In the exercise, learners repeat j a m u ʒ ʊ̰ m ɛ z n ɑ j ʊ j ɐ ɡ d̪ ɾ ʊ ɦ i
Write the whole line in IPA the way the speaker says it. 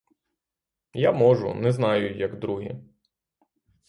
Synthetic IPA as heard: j a m ɔ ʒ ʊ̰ n ɛ z n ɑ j ʊ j ɐ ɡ d̪ ɾ u ɦ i